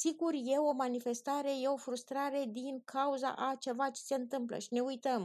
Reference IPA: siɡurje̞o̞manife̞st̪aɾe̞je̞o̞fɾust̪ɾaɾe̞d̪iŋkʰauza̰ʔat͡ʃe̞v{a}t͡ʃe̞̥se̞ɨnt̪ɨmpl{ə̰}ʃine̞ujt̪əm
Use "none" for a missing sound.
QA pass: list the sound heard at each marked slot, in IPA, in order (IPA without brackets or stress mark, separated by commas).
a, ə̰